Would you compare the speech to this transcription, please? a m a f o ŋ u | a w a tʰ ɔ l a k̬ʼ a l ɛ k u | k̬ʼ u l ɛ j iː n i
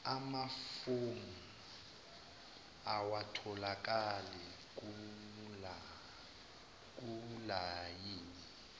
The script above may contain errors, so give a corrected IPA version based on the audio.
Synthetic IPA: a m a f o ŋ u | a w a tʰ ɔ l a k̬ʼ a l ɛ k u | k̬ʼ u l a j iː n i